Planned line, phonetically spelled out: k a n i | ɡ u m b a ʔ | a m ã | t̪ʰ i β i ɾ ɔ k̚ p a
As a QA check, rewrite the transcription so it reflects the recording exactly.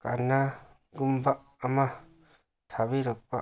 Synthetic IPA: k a n a | ɡ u m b a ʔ | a m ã | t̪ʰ a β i ɾ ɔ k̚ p a